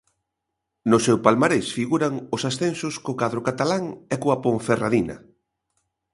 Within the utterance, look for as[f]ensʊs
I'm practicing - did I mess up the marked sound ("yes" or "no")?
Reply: yes